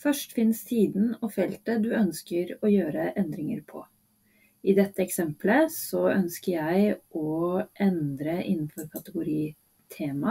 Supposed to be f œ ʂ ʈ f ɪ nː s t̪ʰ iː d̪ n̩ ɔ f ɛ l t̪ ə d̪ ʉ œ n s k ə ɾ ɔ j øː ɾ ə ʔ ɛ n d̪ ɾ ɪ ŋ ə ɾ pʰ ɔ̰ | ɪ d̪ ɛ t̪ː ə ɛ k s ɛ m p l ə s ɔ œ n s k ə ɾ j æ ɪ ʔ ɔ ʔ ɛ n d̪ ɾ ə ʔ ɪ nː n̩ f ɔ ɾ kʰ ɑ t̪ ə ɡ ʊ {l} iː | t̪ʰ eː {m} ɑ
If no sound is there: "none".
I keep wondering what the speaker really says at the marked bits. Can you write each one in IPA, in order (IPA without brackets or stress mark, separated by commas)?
ɾ, m